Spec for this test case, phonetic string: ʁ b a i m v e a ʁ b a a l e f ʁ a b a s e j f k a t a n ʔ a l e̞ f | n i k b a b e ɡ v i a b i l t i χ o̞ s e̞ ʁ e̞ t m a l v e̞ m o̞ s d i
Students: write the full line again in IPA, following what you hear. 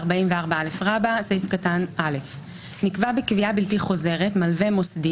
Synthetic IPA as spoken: ʁ b a i m v e a ʁ b a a l e f ʁ a b a s e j f k a t a n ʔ a l e̞ f | n i k v a b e k v i a b i l t i χ o̞ z e̞ ʁ e̞ t m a l v e̞ m o̞ s d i